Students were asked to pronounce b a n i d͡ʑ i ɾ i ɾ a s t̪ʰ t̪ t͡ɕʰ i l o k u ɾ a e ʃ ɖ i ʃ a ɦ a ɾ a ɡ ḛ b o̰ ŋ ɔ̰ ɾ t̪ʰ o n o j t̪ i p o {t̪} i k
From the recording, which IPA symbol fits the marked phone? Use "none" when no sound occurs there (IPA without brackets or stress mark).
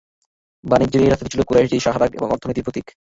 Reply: t̪